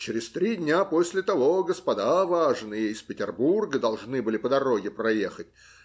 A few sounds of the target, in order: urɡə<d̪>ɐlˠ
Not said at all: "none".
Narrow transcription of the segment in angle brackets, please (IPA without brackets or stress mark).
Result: d̪